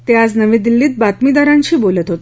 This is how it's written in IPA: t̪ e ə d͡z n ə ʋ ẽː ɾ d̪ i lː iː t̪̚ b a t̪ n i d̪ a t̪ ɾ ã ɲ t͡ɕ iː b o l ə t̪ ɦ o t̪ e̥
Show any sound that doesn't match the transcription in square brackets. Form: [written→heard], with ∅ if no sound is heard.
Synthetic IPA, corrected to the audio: t̪ e [ə→a] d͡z n ə ʋ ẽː [ɾ→∅] d̪ i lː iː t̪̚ b a t̪ [n→m] i d̪ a [t̪→∅] ɾ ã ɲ t͡ɕ iː b o l ə t̪ ɦ o t̪ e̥